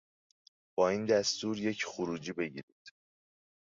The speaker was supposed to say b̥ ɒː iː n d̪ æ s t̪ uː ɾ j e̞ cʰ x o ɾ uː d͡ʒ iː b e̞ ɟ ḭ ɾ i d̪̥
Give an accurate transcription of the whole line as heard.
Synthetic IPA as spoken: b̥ ɒː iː n d̪ æ s t̪ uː ɾ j e̞ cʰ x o ɾ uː d͡ʒ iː b e̞ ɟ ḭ ɾ i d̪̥

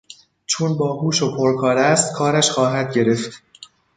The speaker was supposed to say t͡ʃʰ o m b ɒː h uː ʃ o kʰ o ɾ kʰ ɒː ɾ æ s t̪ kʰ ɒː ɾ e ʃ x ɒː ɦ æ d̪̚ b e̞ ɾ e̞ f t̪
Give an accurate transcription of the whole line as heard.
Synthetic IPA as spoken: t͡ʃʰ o n b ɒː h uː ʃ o pʰ o ɾ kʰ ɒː ɾ æ s t̪ kʰ ɒː ɾ æ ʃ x ɒː ɦ æ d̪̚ ɟ e̞ ɾ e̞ f t̪

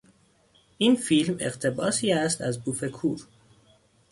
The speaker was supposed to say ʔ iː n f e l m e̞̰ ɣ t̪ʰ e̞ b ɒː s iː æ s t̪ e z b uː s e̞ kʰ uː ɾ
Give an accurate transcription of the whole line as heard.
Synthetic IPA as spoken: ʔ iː n f i l m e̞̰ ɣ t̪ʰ e̞ b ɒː s iː æ s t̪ æ z b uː f e̞ kʰ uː ɾ

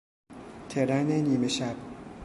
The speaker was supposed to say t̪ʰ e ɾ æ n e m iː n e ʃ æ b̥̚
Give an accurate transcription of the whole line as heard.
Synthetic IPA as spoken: t̪ʰ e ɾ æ n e n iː m e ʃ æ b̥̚

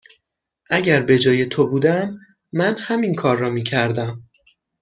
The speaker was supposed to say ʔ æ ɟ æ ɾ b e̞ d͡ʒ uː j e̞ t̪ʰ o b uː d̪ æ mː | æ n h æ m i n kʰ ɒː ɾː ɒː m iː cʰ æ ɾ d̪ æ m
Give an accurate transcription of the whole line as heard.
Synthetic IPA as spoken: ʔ æ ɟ æ ɾ b e̞ d͡ʒ ɒː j e̞ t̪ʰ o b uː d̪ æ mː | æ n h æ m i n kʰ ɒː ɾː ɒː m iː cʰ æ ɾ d̪ æ m

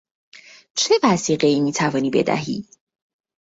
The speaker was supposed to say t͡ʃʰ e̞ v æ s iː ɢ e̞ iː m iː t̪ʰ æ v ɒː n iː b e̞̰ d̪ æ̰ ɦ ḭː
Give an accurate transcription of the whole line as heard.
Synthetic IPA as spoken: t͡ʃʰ e̞ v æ s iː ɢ e̞ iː m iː t̪ʰ æ v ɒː n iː b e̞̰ d̪ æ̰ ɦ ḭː

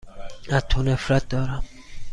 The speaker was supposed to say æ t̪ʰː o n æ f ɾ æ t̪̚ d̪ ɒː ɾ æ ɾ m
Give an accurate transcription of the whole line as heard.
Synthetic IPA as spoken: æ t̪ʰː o n e f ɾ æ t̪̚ d̪ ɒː ɾ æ m

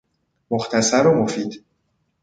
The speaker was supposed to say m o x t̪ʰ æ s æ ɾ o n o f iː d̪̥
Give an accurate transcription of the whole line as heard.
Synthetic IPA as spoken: m o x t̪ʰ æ s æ ɾ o m o f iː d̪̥

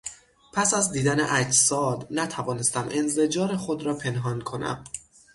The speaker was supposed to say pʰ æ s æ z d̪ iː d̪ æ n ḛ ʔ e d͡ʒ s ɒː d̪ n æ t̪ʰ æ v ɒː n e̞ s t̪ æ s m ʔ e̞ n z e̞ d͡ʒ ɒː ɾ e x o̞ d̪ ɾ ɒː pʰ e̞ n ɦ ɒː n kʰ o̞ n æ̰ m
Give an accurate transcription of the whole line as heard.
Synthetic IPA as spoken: pʰ æ s æ z d̪ iː d̪ æ n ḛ ʔ æ d͡ʒ s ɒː d̪ n æ t̪ʰ æ v ɒː n e̞ s t̪ æ m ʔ e̞ n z e̞ d͡ʒ ɒː ɾ e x o̞ d̪ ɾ ɒː pʰ e̞ n ɦ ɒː n kʰ o̞ n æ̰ m

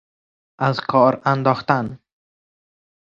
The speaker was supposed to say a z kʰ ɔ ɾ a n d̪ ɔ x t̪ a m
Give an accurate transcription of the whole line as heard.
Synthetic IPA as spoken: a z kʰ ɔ ɾ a n d̪ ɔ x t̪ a n

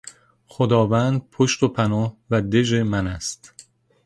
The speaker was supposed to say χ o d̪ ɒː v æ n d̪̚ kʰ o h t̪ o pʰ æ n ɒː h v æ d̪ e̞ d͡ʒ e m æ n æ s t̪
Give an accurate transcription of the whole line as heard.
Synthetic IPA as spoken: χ o d̪ ɒː v æ n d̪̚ pʰ o ʃ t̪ o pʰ æ n ɒː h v æ d̪ e̞ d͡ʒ e m æ n æ s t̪

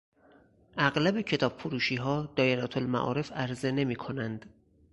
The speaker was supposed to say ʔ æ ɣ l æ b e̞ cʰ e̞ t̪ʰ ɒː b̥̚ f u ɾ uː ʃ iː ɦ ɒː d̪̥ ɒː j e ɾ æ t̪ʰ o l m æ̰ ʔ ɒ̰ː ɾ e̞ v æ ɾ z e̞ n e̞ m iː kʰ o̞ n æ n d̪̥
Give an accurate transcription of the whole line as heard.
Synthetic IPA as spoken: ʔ æ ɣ l æ b e̞ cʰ e̞ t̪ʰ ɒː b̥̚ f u ɾ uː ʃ iː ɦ ɒː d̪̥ ɒː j e ɾ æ t̪ʰ o l m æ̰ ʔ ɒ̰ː ɾ e̞ f æ ɾ z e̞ n e̞ m iː kʰ o̞ n æ n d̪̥

